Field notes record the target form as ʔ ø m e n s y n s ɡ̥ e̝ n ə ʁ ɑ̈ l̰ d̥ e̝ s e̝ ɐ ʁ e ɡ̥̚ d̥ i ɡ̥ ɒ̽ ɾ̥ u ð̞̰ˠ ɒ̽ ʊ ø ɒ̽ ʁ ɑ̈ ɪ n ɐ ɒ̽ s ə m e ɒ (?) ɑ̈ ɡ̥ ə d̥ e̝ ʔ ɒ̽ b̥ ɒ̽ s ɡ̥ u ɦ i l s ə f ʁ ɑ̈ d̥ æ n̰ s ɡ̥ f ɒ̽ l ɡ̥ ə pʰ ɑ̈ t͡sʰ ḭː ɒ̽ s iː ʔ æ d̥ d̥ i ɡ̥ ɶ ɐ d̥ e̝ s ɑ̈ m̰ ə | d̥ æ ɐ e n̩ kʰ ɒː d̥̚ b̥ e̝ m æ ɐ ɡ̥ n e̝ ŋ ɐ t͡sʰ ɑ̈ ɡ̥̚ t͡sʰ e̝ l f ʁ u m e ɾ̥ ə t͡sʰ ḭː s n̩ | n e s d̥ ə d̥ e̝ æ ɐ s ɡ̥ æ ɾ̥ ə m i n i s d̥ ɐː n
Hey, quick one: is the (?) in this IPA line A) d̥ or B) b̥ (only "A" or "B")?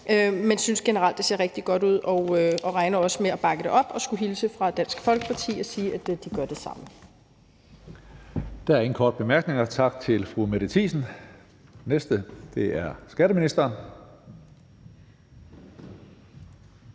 B